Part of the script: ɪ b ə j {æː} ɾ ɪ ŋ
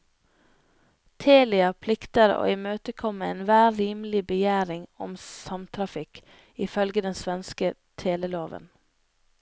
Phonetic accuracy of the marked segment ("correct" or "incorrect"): correct